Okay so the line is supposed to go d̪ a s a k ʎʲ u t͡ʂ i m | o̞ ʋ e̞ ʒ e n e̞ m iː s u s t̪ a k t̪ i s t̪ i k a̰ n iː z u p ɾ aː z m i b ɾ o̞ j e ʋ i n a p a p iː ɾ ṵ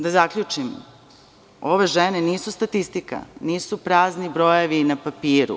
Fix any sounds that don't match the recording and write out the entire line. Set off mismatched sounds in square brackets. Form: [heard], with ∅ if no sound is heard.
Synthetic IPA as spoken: d̪ a [z] a k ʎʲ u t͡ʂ i m | o̞ ʋ e̞ ʒ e n e̞ [n] iː s u s t̪ a [∅] t̪ i s t̪ i k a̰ n iː [s] u p ɾ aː z [n] i b ɾ o̞ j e ʋ i n a p a p iː ɾ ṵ